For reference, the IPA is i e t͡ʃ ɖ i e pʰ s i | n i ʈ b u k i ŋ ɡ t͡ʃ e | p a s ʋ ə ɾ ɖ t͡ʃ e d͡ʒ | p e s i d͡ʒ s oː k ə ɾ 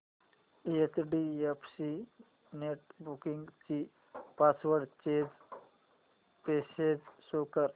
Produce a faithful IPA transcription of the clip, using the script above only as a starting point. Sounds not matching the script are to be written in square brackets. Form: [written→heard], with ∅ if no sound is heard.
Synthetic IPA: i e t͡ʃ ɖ i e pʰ s i | n [i→e] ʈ b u k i ŋ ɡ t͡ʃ [e→i] | p a s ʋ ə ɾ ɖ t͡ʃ e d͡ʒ | p e s [i→e] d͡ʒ s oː k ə ɾ

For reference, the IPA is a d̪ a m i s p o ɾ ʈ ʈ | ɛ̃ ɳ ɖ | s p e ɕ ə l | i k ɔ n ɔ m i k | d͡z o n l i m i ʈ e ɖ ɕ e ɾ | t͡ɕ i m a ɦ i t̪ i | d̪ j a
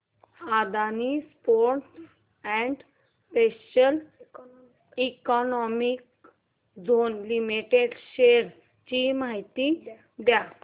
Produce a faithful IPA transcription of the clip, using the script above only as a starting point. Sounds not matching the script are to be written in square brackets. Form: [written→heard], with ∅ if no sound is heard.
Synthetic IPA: a d̪ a [m→n] i s p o ɾ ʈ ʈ | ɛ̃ ɳ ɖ | s p e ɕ ə l | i k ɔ n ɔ m i k | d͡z o n l i m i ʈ e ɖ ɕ e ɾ | t͡ɕ i m a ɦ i t̪ i | d̪ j a

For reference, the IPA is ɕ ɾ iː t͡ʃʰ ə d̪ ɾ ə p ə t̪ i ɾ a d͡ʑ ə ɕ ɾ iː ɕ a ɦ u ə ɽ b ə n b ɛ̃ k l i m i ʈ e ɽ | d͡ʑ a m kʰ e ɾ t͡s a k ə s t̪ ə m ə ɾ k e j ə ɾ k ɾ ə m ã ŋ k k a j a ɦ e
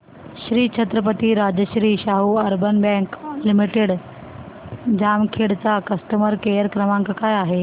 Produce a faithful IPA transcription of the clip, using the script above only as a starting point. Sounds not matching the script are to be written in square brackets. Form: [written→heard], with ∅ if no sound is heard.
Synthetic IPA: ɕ ɾ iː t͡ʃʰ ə [d̪→t̪] ɾ ə p ə t̪ i ɾ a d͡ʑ ə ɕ ɾ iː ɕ a ɦ u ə [ɽ→ɾ] b ə n b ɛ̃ k l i m i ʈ e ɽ | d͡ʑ a m kʰ e [ɾ→ɽ] t͡s a k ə s t̪ ə m ə ɾ k e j ə ɾ k ɾ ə m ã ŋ k k a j a ɦ e

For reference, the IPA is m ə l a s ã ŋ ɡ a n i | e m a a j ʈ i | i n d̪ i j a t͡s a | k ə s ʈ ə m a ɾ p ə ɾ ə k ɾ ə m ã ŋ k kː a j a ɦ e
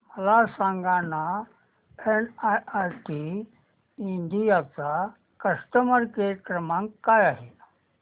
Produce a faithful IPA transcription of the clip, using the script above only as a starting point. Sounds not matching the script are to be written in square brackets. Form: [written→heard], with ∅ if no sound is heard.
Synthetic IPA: m ə l a s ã ŋ ɡ a n [i→a] | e [m→n] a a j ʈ i | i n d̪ i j a t͡s a | k ə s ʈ ə m [a→ə] ɾ [p→k] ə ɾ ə k ɾ ə m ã ŋ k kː a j a ɦ e

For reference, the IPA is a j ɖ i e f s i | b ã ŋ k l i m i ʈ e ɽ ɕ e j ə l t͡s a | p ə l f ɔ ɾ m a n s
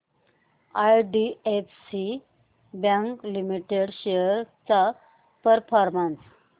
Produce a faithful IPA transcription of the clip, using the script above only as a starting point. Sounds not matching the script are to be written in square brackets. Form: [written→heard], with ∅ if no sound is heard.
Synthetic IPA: a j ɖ i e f s i | b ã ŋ k l i m i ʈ e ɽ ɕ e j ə [l→ɾ] t͡s a | p ə [l→ɾ] f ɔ ɾ m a n s

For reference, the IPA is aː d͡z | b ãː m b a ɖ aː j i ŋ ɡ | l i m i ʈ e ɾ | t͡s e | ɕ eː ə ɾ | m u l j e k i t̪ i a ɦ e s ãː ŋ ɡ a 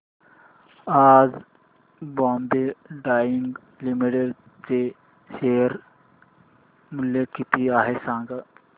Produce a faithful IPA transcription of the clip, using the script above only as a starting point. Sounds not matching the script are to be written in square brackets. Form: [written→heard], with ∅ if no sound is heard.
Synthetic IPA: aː d͡z | b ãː m b [a→e] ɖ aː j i ŋ ɡ | l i m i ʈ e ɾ | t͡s e | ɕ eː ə ɾ | m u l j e k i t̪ i a ɦ e s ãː ŋ ɡ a

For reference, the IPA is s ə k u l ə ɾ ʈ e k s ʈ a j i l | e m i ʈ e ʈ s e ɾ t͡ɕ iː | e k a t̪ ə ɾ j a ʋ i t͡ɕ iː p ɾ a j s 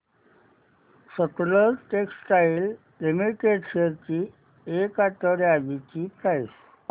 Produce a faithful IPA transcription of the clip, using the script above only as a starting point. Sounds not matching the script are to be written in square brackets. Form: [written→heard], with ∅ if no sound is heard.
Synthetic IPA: s ə k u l ə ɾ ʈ e k s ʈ a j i l | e m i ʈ e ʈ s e ɾ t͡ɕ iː | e k a t̪ ə ɾ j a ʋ i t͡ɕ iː p ɾ a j s

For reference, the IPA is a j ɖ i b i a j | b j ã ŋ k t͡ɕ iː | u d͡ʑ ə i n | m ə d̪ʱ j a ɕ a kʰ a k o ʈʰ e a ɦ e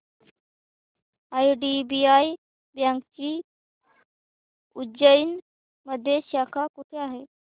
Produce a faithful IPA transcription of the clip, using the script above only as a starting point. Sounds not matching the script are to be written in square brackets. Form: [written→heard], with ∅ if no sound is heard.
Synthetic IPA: a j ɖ i b i a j | b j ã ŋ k t͡ɕ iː | u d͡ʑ ə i n | m ə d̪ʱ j [a→e] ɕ a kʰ a k [o→u] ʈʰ e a ɦ e

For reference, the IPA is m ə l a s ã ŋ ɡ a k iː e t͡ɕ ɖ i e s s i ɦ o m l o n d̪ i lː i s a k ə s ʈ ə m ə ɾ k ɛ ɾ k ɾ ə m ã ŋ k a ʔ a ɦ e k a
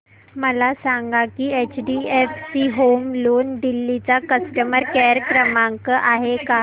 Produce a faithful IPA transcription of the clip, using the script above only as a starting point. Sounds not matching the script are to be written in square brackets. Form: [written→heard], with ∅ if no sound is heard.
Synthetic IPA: m ə l a s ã ŋ ɡ a k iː e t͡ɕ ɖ i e [s→f] s i ɦ o m l o n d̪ i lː i [s→t͡s] a k ə s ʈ ə m ə ɾ k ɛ ɾ k ɾ ə m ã ŋ k [a→ə] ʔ a ɦ e k a

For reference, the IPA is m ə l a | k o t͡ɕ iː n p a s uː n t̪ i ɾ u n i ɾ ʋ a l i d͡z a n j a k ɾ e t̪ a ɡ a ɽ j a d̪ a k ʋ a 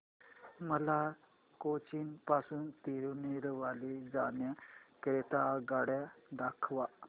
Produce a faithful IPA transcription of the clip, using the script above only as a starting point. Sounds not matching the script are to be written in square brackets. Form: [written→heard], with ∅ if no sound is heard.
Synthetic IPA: m ə l a | k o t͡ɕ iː n p a s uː n t̪ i ɾ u n i ɾ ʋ a l i d͡z a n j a k ɾ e t̪ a ɡ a ɽ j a d̪ a [k→kʰ] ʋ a

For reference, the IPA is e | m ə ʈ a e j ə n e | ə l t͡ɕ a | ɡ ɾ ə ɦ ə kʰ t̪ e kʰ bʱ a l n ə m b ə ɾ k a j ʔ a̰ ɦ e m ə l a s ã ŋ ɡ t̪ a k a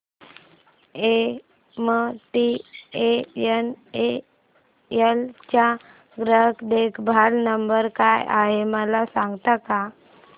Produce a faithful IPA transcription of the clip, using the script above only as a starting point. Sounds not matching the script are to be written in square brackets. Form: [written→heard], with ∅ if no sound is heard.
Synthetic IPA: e | m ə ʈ [a→i] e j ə n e | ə l t͡ɕ a | ɡ ɾ ə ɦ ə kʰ [t̪→d̪] e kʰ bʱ a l n ə m b ə ɾ k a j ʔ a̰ ɦ e m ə l a s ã ŋ ɡ t̪ a k a

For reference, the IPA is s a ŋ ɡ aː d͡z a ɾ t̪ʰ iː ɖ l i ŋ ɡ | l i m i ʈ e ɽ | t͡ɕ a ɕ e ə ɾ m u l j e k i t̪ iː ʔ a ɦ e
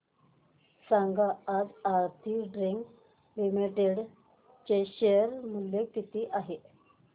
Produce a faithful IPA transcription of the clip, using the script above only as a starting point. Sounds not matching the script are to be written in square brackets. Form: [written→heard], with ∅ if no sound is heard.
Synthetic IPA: s a ŋ ɡ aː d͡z a ɾ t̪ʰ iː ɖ [l→ɾ] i ŋ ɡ | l i m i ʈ e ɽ | t͡ɕ [a→e] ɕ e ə ɾ m u l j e k i t̪ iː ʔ a ɦ e

